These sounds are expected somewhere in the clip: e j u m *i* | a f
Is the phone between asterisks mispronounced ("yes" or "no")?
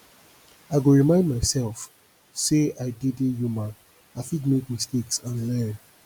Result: yes